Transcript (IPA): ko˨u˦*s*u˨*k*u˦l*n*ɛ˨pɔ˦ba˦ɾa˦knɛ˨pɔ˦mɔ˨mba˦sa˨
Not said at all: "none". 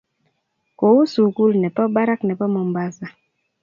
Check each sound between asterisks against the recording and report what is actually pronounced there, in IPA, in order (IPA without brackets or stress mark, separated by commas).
s, k, n